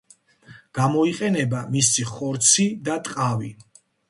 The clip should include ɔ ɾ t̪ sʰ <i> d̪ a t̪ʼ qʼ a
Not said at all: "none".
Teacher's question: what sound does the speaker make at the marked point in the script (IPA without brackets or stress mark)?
i